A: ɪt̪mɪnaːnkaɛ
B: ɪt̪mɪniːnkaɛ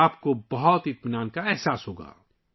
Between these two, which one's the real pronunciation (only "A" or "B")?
A